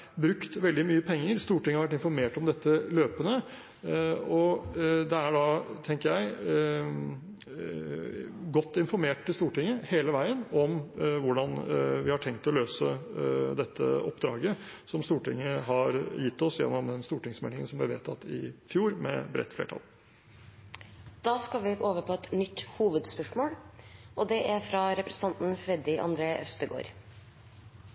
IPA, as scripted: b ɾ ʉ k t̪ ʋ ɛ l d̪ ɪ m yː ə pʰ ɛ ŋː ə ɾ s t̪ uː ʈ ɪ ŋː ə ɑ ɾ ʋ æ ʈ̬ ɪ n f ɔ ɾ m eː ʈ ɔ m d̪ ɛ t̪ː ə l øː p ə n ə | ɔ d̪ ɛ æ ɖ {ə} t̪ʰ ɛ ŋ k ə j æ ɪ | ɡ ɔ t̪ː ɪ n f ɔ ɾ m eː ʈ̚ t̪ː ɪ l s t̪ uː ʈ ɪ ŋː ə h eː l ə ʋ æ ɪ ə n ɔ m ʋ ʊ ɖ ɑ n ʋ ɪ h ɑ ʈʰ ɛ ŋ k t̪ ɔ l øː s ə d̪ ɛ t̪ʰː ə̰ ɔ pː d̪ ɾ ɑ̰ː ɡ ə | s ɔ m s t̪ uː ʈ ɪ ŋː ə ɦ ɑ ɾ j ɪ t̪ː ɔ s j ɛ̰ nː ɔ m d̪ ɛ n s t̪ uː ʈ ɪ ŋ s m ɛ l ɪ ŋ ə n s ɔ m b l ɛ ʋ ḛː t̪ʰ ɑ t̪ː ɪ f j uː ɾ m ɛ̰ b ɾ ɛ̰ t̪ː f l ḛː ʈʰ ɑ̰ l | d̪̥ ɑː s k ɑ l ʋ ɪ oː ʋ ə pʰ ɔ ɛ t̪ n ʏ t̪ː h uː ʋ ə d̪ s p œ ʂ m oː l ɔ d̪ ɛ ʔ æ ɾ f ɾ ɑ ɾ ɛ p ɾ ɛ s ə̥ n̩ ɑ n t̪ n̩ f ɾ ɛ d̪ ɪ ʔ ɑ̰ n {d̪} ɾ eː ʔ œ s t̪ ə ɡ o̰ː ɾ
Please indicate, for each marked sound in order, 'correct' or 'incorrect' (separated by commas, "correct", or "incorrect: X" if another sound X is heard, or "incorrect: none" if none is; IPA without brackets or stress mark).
incorrect: ɑ, correct